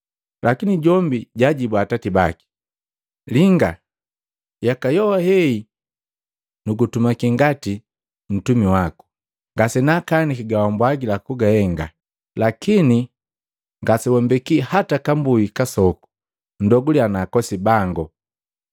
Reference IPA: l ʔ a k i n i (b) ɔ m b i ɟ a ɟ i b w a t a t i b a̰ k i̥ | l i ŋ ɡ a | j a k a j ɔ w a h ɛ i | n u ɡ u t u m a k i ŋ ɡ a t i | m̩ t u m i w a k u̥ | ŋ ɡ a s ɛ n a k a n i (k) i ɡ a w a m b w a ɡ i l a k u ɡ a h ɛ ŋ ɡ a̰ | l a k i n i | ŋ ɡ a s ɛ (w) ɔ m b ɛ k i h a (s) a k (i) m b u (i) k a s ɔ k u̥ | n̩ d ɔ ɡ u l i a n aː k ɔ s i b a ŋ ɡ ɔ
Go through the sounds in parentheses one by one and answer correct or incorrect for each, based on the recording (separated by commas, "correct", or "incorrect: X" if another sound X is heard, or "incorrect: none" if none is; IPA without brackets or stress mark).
incorrect: ɟ, correct, correct, incorrect: t, incorrect: a, correct